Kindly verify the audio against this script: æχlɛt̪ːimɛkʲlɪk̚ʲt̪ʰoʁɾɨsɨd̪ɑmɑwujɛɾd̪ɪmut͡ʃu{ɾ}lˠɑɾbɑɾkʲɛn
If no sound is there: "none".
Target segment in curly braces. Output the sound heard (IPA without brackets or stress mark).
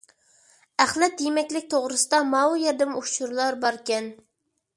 ɾ